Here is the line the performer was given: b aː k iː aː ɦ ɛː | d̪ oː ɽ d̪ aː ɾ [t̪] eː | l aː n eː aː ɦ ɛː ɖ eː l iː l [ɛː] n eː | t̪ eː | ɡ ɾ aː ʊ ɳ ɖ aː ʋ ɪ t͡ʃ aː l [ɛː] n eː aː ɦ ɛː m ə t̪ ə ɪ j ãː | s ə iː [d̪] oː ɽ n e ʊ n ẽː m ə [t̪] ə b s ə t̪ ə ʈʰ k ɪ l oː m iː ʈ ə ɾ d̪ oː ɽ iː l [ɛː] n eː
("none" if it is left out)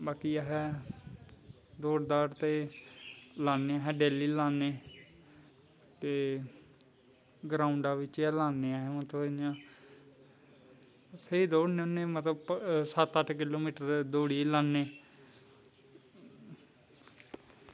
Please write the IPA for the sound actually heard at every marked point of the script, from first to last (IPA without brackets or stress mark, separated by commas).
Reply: t̪, aː, aː, d̪, t̪, aː